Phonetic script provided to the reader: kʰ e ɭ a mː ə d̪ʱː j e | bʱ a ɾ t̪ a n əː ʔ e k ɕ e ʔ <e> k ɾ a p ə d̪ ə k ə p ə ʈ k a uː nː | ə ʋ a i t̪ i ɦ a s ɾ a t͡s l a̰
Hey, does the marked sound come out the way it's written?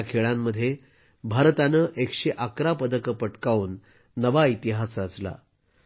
no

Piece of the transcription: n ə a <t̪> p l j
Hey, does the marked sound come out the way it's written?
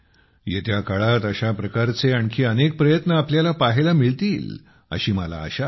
no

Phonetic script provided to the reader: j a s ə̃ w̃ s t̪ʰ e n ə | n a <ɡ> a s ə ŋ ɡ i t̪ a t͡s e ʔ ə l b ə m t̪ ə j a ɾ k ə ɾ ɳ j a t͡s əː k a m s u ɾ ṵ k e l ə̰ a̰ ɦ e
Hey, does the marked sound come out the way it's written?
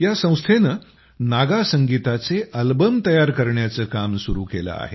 yes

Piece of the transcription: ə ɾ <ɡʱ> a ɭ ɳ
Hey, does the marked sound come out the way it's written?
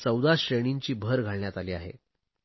yes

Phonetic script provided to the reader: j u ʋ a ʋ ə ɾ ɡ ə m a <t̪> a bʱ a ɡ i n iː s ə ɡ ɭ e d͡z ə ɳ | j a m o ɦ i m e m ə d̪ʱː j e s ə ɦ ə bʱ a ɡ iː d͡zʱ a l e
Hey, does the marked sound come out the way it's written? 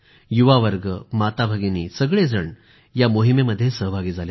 yes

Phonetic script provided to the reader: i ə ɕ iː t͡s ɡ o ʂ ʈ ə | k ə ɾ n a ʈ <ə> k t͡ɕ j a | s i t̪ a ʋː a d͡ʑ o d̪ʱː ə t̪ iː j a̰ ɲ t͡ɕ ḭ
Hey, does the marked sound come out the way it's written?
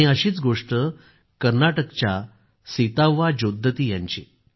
yes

